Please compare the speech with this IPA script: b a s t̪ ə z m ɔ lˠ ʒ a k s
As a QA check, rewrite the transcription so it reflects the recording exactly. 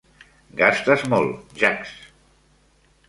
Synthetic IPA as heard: ɡ a s t̪ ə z m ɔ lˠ ʒ a k s